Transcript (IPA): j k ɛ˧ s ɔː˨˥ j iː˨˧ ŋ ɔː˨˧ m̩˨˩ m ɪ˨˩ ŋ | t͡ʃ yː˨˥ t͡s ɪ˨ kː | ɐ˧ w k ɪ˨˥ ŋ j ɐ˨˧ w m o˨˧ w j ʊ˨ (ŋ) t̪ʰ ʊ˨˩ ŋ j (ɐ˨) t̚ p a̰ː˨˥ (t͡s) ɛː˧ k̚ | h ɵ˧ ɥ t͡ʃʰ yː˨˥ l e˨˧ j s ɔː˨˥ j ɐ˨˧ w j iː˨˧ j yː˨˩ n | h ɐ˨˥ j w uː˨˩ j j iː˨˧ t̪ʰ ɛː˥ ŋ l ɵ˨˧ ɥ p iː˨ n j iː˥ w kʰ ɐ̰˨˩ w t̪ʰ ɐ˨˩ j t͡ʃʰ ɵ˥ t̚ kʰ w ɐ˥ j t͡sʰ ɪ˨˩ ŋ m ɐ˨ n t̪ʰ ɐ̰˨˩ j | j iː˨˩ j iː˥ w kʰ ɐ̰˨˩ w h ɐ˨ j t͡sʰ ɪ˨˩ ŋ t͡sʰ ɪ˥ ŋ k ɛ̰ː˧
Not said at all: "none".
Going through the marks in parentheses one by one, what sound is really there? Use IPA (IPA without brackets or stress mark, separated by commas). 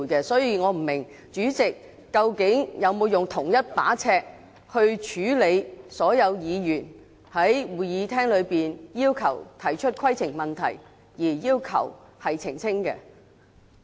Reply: ŋ, ɐ˥, t͡sʰ